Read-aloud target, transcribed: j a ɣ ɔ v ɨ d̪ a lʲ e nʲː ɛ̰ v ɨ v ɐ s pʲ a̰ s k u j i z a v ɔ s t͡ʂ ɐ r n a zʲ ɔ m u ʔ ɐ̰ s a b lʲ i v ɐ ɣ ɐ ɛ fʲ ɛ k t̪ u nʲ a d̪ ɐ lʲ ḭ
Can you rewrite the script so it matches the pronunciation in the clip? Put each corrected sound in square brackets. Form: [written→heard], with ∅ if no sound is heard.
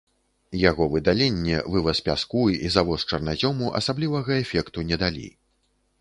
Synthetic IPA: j a ɣ ɔ v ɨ d̪ a lʲ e nʲː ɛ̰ v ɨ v ɐ s pʲ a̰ s k u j i z a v ɔ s t͡ʂ ɐ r n a zʲ ɔ m u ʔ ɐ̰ s a b lʲ i v ɐ ɣ ɐ ɛ fʲ ɛ k t̪ u nʲ [a→ɛ] d̪ [ɐ→a] lʲ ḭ